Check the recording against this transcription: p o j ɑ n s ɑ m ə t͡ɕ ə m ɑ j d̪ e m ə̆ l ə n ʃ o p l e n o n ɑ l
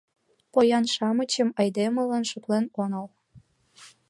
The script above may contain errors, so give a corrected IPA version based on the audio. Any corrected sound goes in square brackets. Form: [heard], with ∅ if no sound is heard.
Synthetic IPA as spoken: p o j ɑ n [ʃ] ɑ m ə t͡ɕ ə m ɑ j d̪ e m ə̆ l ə n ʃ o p l e n o n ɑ l